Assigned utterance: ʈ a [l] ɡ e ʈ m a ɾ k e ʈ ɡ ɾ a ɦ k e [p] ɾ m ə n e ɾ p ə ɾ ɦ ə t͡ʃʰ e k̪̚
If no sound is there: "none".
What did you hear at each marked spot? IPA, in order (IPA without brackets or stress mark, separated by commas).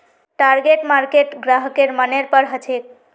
ɾ, none